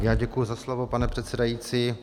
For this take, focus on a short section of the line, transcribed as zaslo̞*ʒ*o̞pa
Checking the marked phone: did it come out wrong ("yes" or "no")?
yes